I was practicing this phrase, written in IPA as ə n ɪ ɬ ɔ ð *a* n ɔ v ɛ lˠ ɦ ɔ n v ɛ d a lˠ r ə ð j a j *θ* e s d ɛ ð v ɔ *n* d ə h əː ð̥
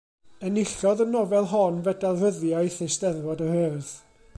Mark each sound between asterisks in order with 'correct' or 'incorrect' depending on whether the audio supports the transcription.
incorrect, correct, incorrect

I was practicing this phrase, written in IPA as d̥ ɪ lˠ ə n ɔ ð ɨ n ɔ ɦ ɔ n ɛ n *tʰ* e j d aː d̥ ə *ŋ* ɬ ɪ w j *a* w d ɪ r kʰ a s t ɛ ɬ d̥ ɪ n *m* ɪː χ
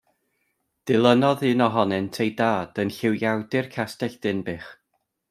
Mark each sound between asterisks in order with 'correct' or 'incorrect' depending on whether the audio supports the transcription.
correct, incorrect, correct, incorrect

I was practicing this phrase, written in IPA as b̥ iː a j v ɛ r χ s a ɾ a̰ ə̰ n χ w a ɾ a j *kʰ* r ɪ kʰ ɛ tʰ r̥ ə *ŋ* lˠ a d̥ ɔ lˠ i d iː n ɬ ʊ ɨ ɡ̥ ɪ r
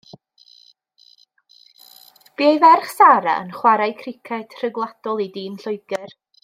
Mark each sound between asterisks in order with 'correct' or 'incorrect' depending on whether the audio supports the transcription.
correct, incorrect

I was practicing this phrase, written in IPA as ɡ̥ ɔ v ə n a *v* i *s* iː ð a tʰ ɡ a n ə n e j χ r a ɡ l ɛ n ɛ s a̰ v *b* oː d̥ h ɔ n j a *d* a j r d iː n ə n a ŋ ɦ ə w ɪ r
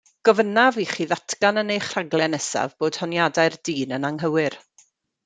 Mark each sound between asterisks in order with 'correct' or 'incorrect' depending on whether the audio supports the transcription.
correct, incorrect, correct, correct

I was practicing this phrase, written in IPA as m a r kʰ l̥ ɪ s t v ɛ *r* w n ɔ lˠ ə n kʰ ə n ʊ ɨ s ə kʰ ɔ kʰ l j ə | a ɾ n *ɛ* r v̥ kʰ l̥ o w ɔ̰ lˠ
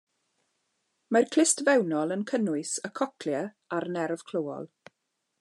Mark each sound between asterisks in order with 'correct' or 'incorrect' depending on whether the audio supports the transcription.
incorrect, correct

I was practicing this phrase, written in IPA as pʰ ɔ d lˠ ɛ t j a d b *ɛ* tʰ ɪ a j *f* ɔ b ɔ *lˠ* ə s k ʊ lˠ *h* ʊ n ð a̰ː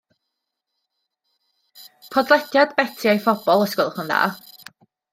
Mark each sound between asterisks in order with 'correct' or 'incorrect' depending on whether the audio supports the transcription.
correct, correct, correct, incorrect

